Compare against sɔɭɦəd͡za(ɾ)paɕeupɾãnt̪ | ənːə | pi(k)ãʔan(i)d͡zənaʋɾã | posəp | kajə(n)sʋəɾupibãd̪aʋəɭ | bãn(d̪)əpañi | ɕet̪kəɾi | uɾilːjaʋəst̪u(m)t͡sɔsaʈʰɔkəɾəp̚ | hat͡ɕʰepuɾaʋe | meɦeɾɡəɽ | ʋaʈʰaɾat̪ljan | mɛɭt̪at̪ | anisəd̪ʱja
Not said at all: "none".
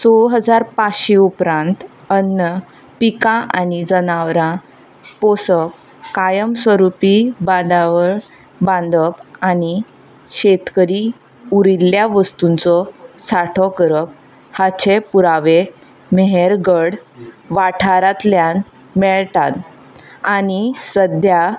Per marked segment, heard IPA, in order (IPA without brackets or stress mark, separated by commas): ɾ, k, i, m, d̪, n